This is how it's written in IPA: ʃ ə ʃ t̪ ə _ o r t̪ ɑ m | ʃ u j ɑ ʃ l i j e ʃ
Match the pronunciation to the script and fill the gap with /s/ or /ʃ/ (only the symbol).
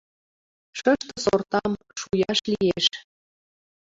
s